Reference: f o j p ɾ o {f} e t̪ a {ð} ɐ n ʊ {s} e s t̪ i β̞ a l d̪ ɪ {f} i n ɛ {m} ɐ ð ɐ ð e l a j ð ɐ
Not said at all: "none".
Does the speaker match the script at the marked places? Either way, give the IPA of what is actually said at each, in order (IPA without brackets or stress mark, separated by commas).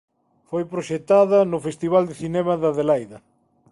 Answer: ʃ, ð, f, θ, m